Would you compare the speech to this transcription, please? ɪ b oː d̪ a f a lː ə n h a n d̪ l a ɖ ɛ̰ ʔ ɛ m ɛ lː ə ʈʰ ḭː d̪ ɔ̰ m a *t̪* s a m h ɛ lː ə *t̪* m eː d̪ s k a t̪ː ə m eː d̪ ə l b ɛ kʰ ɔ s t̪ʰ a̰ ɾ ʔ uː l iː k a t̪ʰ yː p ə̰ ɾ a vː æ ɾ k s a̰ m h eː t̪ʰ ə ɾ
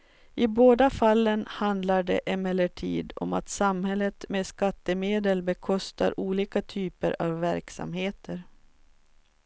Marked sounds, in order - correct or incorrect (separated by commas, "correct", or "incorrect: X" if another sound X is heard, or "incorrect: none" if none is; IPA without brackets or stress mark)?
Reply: correct, correct